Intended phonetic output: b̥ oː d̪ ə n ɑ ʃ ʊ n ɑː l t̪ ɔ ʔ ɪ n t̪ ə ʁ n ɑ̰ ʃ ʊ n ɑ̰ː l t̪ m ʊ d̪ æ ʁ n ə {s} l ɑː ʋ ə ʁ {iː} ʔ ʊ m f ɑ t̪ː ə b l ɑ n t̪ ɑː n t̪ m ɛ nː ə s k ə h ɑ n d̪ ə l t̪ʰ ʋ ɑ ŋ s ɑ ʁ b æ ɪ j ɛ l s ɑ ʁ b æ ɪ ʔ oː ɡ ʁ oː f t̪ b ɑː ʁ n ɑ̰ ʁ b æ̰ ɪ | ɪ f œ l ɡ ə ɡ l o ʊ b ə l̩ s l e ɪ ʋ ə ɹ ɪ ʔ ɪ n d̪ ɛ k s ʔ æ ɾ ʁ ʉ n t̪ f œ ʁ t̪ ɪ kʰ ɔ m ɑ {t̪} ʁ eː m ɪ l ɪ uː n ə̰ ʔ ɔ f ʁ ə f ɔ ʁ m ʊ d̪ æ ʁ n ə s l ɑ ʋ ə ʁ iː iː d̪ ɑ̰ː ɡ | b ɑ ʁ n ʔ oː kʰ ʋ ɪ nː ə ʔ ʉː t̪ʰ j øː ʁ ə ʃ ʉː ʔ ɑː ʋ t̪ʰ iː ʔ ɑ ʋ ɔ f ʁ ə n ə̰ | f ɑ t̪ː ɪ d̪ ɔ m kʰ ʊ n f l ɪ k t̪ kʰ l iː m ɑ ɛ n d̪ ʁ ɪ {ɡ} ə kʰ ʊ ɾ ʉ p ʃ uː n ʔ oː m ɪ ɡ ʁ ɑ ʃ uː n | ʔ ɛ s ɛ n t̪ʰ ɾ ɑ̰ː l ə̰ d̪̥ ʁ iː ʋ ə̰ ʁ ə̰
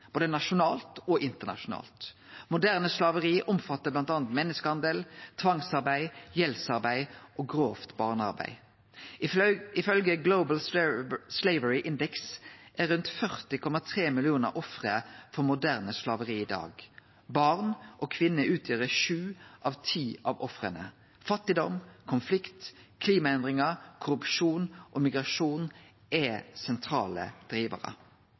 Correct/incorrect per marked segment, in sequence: correct, correct, incorrect: t̪ʰ, incorrect: ŋ

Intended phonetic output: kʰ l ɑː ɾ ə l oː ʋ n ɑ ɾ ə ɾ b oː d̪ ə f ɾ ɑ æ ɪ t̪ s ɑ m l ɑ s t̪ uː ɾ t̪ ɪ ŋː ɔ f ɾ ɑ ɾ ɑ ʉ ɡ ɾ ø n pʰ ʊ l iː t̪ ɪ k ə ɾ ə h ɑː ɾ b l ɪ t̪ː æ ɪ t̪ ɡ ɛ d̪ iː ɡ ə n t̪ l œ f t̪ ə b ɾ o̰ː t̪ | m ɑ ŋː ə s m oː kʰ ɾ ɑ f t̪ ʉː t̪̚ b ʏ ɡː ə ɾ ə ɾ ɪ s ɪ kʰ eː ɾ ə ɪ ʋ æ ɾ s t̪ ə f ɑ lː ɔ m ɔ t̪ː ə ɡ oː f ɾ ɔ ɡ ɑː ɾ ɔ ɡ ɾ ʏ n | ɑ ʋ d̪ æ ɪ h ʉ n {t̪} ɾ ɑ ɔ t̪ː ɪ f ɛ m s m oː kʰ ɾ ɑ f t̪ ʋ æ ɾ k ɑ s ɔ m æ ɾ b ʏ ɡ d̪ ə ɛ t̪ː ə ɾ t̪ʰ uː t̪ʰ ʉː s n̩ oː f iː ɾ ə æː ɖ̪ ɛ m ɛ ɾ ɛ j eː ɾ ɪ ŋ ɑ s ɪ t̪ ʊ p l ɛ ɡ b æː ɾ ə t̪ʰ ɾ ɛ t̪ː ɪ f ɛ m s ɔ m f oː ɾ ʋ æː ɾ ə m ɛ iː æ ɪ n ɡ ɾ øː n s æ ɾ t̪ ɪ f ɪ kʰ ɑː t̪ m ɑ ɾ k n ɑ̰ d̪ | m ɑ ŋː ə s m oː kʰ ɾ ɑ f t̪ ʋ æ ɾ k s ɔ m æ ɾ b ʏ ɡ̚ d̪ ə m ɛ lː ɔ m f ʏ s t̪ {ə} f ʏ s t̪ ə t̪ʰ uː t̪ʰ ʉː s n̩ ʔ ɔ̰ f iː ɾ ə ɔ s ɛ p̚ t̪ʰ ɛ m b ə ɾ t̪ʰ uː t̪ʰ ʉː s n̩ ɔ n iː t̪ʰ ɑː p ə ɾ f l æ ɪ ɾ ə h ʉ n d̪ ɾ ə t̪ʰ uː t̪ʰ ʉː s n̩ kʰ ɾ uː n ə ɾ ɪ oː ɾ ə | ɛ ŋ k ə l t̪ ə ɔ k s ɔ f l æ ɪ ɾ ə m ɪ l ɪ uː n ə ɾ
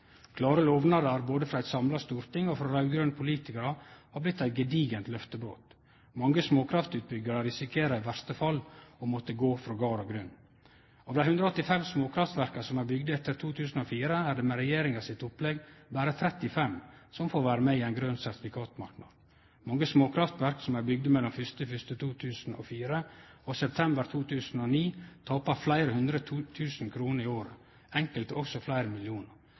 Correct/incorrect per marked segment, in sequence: incorrect: d̪, correct

